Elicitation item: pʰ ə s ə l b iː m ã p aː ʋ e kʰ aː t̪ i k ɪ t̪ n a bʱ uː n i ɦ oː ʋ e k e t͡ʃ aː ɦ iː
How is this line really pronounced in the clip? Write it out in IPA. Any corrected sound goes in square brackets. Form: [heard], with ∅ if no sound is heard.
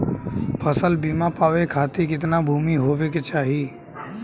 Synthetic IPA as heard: pʰ ə s ə l b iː m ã p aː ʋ e kʰ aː t̪ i k ɪ t̪ n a bʱ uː [m] i ɦ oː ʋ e k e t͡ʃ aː ɦ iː